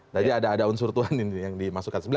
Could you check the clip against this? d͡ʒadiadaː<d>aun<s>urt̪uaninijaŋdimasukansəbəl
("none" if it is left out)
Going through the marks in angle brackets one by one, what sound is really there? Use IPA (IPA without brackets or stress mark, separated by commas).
d, s